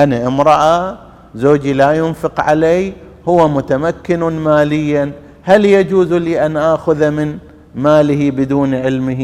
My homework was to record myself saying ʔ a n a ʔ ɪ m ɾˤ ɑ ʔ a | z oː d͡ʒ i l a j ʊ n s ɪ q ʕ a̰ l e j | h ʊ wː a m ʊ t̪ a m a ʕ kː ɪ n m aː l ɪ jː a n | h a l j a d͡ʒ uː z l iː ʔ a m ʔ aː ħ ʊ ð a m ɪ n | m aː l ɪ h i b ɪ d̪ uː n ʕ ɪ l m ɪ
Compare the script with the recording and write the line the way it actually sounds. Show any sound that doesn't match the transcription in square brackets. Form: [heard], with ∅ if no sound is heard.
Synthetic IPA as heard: ʔ a n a ʔ ɪ m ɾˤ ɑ ʔ a | z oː d͡ʒ i l a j ʊ n [f] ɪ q ʕ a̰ l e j | h ʊ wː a m ʊ t̪ a m a [∅] kː ɪ n m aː l ɪ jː a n | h a l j a d͡ʒ uː z l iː ʔ a [n] ʔ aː [x] ʊ ð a m ɪ n | m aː l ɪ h i b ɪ d̪ uː n ʕ ɪ l m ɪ